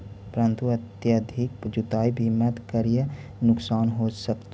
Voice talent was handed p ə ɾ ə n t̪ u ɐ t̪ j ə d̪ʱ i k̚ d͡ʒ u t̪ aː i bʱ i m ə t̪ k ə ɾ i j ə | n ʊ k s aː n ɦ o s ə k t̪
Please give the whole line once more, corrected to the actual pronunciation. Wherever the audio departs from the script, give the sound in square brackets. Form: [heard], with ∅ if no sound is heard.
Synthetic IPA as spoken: p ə ɾ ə n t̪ u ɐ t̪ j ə d̪ʱ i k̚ d͡ʒ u t̪ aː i bʱ i m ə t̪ k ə ɾ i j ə | n ʊ k s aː n ɦ o s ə k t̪